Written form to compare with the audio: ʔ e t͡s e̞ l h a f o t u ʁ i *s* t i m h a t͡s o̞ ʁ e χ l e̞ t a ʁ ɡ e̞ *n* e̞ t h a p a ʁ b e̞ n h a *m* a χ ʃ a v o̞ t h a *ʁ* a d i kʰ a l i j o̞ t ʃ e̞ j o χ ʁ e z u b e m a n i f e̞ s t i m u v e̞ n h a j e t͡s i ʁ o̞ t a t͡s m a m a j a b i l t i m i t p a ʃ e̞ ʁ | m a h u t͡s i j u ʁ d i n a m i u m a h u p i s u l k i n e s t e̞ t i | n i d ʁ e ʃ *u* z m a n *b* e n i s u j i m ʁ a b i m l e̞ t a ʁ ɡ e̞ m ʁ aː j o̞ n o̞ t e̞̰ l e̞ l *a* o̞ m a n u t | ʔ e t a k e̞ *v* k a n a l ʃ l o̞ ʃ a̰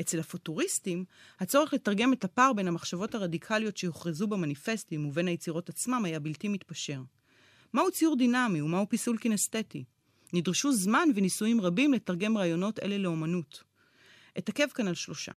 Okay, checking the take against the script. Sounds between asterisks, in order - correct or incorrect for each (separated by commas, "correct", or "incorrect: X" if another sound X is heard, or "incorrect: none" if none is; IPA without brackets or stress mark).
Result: correct, incorrect: m, correct, correct, correct, incorrect: v, incorrect: e, correct